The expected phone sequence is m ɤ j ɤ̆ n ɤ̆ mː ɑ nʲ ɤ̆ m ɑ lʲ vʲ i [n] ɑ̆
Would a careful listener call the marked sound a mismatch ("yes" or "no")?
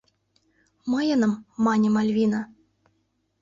no